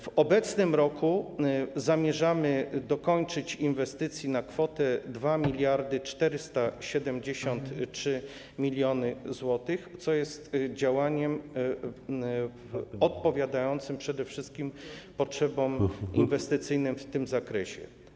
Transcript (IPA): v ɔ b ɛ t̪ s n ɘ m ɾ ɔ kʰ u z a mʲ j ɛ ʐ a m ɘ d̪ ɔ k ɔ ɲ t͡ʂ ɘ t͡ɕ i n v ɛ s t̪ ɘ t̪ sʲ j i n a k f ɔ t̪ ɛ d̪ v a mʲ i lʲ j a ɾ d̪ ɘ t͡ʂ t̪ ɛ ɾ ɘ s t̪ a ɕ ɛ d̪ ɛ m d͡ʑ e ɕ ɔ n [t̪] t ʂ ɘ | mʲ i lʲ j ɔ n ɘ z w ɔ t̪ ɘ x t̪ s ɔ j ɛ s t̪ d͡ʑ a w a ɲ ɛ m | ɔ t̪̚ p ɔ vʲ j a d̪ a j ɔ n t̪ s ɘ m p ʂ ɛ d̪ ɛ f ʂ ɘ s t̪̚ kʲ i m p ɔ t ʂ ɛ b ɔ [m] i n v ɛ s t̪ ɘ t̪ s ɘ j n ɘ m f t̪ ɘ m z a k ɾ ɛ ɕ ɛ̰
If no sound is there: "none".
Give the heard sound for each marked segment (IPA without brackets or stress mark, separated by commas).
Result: t̪, m